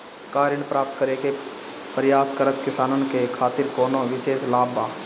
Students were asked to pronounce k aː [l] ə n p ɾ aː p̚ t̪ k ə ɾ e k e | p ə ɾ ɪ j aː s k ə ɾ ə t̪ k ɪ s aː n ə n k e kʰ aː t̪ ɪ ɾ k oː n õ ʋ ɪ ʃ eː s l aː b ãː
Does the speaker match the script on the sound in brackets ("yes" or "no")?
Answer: no